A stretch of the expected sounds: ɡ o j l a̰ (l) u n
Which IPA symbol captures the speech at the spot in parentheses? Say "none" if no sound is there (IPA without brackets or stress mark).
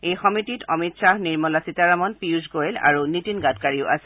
ɹ